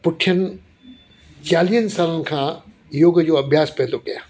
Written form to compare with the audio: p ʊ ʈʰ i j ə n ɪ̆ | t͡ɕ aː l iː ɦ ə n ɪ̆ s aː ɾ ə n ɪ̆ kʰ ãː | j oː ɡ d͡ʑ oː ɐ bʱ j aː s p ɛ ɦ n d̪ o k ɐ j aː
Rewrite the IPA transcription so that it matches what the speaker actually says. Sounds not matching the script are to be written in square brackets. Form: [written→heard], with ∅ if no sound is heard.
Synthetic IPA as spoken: p ʊ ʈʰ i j ə n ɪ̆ | t͡ɕ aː l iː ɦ ə n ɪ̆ s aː [ɾ→l] ə n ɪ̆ kʰ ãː | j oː ɡ d͡ʑ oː ɐ bʱ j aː s p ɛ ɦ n d̪ o k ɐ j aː